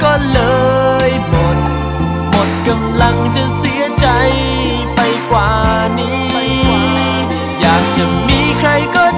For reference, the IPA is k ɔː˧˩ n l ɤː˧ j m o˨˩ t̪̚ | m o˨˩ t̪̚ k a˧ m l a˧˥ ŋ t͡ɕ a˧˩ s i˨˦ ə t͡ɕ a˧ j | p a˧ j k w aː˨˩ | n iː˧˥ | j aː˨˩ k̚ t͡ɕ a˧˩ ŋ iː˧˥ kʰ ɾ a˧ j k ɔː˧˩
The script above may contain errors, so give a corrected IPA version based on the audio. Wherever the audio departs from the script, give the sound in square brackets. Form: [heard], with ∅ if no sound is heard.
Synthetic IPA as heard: k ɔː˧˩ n l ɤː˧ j m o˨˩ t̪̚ | m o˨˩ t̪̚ k a˧ m l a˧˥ ŋ t͡ɕ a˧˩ s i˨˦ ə t͡ɕ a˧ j | p a˧ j k w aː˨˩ | n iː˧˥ | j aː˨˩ k̚ t͡ɕ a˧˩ [m] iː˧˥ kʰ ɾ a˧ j k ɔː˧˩